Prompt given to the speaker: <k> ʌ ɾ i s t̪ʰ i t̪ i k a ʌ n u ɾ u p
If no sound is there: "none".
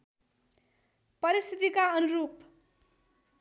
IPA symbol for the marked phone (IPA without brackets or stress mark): p